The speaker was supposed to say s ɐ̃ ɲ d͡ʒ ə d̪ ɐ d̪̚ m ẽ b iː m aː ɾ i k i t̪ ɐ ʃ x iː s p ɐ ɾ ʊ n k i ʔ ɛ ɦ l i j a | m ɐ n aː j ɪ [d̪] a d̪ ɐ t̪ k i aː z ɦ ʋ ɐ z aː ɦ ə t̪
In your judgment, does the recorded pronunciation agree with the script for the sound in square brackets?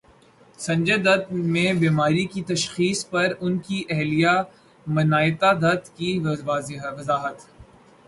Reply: no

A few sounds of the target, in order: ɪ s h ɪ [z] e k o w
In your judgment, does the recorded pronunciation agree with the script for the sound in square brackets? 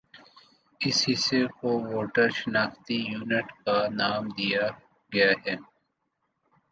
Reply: no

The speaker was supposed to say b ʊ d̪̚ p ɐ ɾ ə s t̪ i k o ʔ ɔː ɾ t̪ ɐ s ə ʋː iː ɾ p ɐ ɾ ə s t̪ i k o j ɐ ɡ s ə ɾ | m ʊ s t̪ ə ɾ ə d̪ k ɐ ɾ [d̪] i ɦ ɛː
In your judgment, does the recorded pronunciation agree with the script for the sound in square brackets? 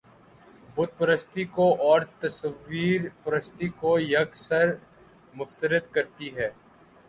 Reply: no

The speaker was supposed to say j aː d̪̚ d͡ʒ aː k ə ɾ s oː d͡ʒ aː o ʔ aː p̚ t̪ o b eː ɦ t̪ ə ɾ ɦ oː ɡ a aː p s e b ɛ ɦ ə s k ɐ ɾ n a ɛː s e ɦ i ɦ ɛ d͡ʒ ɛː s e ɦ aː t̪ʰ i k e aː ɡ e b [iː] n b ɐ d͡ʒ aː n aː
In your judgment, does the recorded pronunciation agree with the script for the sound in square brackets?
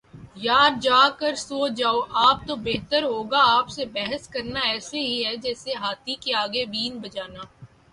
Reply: yes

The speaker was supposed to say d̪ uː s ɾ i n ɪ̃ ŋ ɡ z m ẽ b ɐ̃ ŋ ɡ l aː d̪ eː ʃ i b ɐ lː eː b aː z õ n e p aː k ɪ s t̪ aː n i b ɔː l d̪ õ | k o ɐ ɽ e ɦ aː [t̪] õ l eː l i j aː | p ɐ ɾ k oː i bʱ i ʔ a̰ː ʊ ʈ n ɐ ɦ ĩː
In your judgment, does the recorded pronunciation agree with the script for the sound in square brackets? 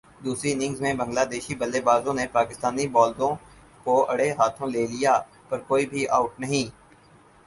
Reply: no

